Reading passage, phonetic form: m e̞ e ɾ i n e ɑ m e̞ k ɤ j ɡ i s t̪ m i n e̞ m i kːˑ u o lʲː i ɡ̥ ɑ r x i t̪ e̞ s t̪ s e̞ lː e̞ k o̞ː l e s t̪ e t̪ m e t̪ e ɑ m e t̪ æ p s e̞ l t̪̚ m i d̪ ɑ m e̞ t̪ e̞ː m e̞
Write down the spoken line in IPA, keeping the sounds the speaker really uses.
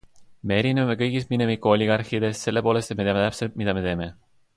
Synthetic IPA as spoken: m e̞ e ɾ i n e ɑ m e̞ k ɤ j ɡ i s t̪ m i n e̞ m i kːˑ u o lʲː i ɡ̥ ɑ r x i d̪ e̞ s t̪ s e̞ lː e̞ p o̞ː l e s t̪ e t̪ m e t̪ e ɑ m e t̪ æ p s e̞ l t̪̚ m i d̪ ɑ m e̞ t̪ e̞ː m e̞